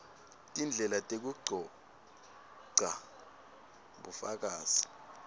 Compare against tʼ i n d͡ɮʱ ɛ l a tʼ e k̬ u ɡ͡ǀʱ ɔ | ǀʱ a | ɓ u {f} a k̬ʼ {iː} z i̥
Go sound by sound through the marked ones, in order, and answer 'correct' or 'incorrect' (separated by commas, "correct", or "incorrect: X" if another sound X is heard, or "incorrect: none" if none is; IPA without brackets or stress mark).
correct, incorrect: aː